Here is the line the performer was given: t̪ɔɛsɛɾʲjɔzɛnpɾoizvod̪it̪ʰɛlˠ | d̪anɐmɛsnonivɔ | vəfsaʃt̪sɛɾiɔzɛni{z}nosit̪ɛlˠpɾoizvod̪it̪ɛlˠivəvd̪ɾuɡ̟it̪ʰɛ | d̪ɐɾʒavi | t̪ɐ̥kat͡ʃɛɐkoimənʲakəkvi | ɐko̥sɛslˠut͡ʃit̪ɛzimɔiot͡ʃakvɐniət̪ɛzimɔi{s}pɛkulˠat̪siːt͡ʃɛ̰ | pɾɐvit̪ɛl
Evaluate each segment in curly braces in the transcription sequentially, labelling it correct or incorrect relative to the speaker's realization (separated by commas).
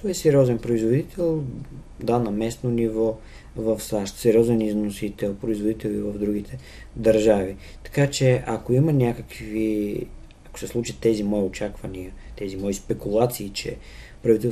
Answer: correct, correct